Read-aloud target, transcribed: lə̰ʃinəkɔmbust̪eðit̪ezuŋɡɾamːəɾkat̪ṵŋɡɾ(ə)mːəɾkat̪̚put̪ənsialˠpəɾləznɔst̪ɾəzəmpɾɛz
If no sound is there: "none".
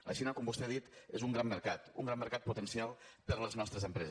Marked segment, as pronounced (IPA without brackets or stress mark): a